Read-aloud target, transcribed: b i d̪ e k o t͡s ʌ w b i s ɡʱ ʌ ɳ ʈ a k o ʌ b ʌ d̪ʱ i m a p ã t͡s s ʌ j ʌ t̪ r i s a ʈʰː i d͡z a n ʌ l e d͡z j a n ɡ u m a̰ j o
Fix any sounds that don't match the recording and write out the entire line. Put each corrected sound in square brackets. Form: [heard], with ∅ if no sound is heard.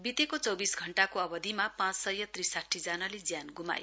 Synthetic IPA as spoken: b i [t̪] e k o t͡s ʌ w b i s ɡʱ ʌ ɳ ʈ a k o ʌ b ʌ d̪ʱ i m a p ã t͡s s ʌ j ʌ t̪ r i s a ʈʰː i d͡z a n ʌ l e d͡z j a n ɡ u m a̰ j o